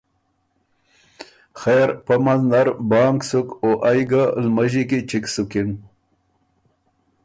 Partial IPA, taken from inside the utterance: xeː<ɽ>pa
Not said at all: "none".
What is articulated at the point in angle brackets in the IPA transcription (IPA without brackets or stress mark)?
ɾ